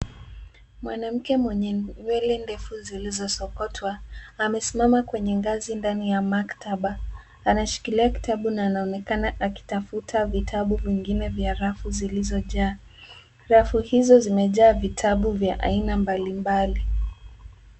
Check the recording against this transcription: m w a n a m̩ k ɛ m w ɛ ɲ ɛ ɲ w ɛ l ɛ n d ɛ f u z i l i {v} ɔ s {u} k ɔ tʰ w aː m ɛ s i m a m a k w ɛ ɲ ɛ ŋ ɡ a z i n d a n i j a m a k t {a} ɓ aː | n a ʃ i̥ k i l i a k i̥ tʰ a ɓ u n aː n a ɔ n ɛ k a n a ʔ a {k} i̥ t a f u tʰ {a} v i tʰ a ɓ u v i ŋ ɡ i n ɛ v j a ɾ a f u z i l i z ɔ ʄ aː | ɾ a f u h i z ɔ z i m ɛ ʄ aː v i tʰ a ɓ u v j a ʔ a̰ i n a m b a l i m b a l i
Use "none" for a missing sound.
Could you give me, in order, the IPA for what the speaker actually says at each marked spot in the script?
z, ɔ, a, k, a

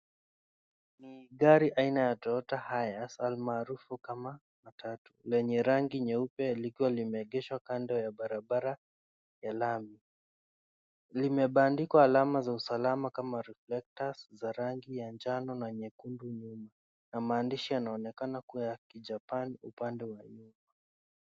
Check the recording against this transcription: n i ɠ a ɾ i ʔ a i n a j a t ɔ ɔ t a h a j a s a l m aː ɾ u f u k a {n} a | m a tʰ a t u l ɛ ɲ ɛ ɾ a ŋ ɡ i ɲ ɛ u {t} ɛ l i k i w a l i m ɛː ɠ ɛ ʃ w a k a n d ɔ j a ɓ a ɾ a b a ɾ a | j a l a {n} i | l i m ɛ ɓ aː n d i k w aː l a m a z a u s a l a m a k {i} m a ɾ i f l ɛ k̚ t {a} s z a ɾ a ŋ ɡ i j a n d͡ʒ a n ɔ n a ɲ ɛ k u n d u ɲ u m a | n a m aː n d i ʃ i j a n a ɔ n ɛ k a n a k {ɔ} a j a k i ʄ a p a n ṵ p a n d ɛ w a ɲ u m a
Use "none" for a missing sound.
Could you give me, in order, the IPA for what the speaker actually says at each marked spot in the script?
m, p, m, a, a, u

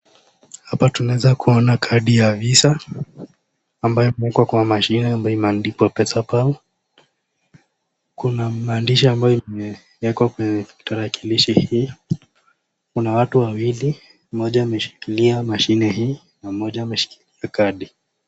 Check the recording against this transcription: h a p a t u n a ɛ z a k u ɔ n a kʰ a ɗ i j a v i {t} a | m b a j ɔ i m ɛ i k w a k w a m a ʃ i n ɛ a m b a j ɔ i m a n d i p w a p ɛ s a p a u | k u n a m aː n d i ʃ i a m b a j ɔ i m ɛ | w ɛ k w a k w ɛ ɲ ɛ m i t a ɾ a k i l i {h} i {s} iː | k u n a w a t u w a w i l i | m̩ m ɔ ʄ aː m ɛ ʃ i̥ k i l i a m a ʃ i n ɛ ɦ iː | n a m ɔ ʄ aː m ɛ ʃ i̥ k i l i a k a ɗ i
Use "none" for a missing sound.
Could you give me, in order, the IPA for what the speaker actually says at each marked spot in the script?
s, ʃ, h

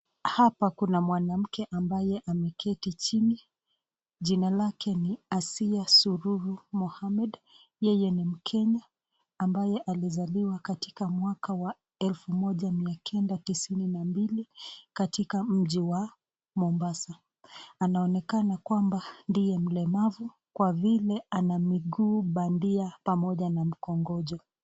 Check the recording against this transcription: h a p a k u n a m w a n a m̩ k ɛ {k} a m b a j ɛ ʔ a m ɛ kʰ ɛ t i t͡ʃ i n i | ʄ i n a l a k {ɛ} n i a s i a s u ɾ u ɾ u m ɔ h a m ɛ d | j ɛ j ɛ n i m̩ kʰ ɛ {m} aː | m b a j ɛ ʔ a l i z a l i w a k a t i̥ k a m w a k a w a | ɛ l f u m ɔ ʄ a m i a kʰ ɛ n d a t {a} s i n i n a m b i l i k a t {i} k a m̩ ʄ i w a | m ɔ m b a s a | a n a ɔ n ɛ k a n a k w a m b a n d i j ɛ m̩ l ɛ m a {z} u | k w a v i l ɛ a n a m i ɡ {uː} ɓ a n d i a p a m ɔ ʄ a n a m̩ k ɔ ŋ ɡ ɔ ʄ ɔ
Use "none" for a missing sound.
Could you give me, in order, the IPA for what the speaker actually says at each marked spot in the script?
ʔ, ɛ, ɲ, i, i, v, uː

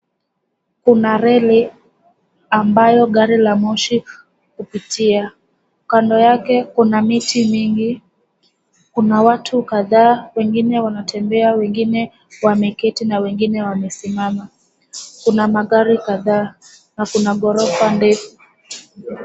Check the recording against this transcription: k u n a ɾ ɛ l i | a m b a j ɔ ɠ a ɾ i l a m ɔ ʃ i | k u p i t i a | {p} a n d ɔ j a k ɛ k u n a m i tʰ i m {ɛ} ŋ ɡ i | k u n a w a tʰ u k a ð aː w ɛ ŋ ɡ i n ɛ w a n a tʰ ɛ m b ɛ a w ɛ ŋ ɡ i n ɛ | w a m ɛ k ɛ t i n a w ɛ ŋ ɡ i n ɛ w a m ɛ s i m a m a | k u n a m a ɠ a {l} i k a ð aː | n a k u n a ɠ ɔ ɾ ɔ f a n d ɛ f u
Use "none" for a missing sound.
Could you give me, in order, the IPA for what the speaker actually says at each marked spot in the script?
k, i, ɾ

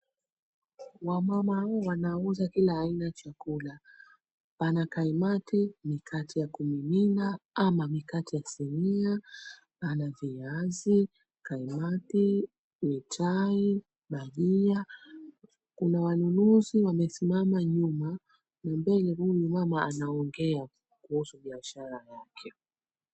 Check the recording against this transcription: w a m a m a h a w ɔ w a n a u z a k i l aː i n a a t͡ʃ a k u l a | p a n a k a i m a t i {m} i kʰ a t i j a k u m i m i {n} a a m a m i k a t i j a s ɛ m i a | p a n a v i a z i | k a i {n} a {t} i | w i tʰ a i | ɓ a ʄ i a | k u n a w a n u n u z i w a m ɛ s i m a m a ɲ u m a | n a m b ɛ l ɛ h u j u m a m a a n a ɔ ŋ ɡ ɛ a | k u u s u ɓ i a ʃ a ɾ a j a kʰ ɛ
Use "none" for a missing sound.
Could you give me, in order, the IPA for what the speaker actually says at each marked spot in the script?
m, n, m, t

